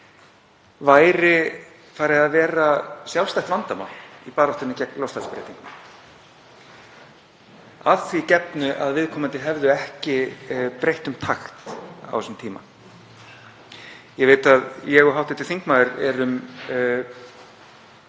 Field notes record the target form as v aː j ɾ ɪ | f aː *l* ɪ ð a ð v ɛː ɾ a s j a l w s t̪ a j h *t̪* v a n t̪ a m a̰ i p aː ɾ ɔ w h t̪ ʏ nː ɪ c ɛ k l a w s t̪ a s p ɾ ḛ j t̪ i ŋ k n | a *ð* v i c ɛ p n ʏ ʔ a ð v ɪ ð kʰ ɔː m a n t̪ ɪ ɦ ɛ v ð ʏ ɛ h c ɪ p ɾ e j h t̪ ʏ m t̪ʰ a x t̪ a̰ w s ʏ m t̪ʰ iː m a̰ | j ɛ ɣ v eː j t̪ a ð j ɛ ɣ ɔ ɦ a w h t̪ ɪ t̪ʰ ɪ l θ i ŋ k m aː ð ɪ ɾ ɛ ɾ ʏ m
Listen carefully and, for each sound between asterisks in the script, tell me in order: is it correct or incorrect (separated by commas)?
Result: incorrect, correct, incorrect